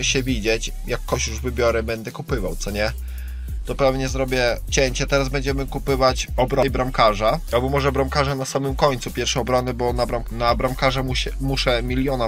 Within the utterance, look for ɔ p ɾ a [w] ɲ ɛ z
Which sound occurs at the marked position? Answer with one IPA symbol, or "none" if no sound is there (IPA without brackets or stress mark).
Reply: v